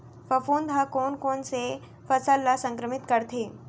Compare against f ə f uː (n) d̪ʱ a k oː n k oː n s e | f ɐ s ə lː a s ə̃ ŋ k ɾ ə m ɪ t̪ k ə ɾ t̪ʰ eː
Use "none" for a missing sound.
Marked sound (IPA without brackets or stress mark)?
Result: n